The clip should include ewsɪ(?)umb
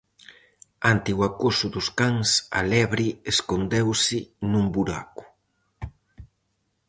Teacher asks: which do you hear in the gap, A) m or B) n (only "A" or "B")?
B